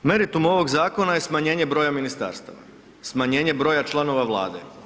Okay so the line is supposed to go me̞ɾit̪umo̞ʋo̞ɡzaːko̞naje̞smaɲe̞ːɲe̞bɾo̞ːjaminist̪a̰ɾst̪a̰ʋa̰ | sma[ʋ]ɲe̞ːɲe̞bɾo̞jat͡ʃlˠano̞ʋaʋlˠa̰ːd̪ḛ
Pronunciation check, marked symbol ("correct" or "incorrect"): incorrect